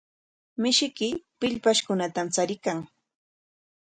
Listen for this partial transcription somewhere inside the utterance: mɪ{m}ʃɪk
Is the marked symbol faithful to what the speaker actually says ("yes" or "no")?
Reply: no